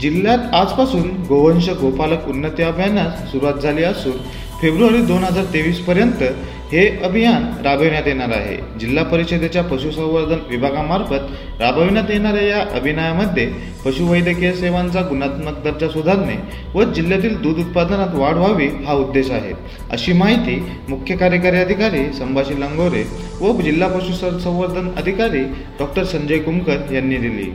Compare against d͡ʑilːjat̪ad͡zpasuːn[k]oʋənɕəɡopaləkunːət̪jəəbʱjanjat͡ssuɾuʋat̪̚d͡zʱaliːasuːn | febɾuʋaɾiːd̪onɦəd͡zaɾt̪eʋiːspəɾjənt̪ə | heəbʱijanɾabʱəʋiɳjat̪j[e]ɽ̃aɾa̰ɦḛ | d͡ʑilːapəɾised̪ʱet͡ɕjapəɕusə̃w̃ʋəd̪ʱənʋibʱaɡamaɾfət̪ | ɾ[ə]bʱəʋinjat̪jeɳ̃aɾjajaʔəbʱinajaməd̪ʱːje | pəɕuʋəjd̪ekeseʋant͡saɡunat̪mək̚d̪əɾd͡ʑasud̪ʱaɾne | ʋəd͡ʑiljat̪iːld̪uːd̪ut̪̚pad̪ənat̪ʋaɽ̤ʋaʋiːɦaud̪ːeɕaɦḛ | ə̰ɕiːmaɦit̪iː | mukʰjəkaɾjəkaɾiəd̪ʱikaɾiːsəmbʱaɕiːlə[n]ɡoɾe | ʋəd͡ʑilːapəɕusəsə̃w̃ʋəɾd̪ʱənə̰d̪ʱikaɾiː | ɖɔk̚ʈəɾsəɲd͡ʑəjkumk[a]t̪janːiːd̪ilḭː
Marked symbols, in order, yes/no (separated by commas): no, yes, no, no, no